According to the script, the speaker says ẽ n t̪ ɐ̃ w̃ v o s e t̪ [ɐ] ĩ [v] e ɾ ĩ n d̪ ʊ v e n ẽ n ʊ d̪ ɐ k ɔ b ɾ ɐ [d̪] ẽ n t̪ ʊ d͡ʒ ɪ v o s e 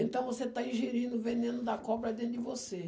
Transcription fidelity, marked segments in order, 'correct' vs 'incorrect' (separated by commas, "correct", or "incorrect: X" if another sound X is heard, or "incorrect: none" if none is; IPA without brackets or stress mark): incorrect: a, incorrect: ʒ, correct